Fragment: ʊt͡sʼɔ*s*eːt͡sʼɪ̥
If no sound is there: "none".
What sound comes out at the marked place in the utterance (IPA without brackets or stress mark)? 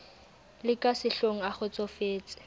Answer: f